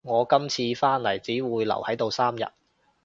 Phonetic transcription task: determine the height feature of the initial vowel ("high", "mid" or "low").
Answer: mid